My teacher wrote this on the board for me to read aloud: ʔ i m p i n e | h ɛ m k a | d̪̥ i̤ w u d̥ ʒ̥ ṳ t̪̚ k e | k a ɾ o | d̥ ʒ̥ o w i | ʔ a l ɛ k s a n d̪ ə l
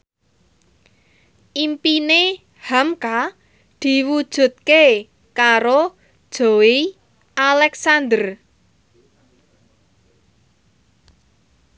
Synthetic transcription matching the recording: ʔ i m p i n e | h a m k a | d̪̥ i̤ w u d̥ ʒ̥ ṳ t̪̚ k e | k a ɾ o | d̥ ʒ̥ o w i | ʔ a l ɛ k s a n d̪ ə r